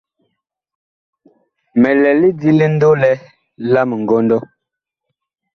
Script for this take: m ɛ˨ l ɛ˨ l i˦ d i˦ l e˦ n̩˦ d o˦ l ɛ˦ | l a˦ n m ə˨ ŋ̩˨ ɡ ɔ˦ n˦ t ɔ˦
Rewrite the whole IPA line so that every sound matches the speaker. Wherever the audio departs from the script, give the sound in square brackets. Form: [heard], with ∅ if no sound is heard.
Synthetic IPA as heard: m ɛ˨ l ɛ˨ l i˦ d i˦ l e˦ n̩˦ d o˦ l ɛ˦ | l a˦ [∅] m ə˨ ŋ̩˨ ɡ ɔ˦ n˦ [d] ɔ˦